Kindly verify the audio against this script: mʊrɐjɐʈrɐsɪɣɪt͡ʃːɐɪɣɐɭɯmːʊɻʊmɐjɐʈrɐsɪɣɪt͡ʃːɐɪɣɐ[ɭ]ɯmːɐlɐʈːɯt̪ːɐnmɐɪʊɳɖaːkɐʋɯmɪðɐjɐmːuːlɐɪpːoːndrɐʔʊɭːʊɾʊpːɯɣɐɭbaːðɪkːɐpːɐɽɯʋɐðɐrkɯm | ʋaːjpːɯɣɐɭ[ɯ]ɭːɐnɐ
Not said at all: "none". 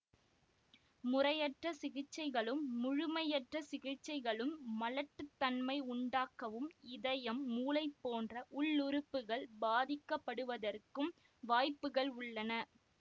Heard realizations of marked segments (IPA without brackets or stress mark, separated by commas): ɭ, ʊ